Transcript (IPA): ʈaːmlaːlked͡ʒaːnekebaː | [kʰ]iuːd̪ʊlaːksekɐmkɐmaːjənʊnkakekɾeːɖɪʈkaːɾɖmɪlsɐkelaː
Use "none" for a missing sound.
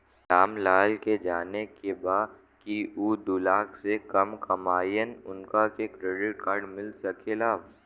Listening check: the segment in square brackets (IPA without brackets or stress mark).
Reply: k